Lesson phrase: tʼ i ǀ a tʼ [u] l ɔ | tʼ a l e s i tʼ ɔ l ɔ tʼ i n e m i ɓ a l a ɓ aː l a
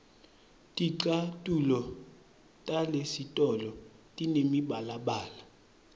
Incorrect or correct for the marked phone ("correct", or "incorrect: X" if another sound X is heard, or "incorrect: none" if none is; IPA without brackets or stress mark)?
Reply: correct